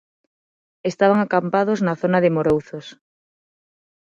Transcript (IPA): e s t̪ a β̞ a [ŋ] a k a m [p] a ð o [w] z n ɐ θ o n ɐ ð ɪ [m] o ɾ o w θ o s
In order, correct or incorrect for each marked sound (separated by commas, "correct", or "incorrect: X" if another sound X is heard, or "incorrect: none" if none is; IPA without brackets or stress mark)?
correct, correct, incorrect: none, correct